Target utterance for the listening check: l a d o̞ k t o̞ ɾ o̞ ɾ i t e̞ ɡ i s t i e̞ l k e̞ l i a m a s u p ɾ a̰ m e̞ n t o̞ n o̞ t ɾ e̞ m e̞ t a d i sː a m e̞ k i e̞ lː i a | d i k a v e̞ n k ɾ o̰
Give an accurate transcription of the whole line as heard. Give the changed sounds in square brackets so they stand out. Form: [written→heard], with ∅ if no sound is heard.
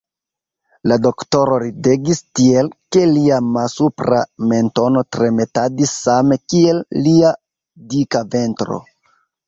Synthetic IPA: l a d o̞ k t o̞ ɾ o̞ ɾ i [t→d] e̞ ɡ i s t i e̞ l k e̞ l i a m a s u p ɾ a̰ m e̞ n t o̞ n o̞ t ɾ e̞ m e̞ t a d i sː a m e̞ k i e̞ lː i a | d i k a v e̞ n [k→t] ɾ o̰